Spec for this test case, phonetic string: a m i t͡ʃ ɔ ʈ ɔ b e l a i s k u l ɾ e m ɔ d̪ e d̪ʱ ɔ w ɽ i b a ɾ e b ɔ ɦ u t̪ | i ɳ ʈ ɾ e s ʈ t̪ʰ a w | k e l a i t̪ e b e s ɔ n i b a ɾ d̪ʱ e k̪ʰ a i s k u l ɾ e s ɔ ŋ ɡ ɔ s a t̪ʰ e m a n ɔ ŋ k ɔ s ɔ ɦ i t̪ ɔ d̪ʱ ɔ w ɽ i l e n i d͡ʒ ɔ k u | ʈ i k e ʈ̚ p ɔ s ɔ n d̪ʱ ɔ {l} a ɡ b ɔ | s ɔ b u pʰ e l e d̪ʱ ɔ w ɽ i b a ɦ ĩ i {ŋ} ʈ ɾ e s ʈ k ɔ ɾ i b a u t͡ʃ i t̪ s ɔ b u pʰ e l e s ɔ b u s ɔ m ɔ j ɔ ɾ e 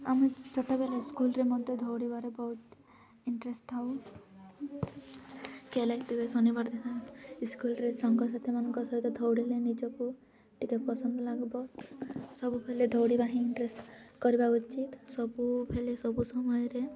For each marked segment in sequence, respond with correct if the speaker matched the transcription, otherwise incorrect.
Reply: correct, incorrect

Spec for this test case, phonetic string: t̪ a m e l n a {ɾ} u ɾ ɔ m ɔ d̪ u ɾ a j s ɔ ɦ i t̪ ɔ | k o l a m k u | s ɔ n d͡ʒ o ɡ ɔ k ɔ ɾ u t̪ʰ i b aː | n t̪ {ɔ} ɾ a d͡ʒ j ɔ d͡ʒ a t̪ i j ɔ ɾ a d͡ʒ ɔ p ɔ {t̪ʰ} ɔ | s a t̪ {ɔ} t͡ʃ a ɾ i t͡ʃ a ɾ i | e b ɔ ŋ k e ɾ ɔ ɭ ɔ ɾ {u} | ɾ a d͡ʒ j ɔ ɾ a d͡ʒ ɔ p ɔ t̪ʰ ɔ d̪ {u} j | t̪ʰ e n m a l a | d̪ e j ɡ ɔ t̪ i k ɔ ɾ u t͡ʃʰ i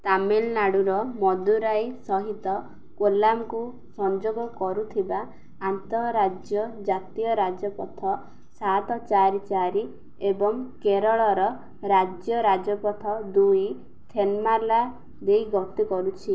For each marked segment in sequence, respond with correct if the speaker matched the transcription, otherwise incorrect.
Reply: incorrect, correct, correct, correct, incorrect, correct

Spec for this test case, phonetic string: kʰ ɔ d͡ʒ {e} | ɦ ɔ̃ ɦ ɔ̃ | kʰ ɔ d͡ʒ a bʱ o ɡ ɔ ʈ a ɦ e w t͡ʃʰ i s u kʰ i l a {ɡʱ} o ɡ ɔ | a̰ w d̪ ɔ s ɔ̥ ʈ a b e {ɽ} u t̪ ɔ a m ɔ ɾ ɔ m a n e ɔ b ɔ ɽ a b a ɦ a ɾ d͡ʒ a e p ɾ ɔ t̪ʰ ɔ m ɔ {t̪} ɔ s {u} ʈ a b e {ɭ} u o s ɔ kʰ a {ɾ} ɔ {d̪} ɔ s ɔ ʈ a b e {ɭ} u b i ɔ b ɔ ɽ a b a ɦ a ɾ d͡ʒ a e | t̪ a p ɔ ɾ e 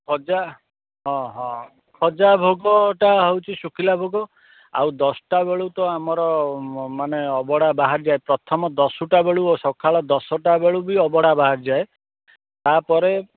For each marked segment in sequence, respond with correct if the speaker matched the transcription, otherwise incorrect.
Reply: incorrect, incorrect, incorrect, incorrect, correct, correct, incorrect, correct, correct

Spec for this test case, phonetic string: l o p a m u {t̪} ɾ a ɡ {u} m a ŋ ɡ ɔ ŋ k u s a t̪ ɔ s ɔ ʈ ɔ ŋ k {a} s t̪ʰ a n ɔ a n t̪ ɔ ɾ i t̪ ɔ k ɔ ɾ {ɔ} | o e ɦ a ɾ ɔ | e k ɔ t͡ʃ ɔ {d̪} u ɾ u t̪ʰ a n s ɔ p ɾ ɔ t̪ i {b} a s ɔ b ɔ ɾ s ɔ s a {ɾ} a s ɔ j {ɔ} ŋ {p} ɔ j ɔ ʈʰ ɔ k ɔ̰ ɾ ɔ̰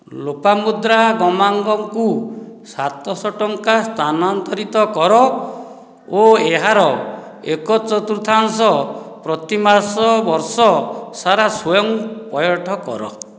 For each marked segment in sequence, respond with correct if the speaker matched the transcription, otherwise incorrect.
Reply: incorrect, incorrect, correct, correct, incorrect, incorrect, correct, correct, correct

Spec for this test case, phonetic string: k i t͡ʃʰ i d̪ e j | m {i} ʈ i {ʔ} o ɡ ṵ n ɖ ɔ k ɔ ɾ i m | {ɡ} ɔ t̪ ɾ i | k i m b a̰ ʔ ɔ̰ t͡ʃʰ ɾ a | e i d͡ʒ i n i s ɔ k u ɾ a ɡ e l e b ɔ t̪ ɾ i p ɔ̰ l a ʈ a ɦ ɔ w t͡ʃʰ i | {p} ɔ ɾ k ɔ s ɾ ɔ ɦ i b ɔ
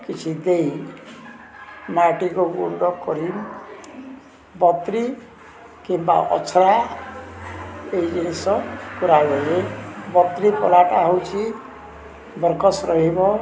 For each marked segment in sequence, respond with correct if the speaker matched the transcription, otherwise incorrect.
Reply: incorrect, incorrect, incorrect, incorrect

